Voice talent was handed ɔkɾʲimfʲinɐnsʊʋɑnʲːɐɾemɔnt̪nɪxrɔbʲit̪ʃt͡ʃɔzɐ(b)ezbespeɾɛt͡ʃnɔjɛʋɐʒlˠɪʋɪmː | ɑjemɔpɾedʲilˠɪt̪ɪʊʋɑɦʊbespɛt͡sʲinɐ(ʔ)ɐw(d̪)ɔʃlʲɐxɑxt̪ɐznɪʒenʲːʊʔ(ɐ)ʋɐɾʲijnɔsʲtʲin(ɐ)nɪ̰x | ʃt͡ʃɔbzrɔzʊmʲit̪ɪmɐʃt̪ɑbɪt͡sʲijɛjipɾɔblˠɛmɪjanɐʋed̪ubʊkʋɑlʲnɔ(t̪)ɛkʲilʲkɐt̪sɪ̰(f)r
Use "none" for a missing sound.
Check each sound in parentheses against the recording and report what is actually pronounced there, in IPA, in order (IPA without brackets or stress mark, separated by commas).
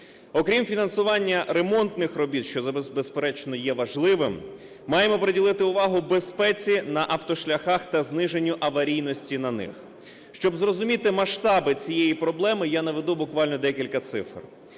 b, ʔ, t̪, ɐ, ɐ, d̪, f